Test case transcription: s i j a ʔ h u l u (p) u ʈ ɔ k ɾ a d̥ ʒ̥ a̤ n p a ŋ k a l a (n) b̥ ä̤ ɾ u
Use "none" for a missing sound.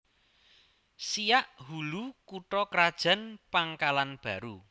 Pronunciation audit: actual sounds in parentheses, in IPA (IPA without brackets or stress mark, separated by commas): k, n